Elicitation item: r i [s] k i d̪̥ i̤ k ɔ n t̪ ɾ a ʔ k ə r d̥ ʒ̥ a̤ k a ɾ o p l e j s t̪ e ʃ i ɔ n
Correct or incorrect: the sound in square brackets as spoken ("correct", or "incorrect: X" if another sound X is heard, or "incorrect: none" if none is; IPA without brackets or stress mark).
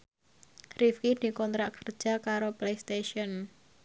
incorrect: f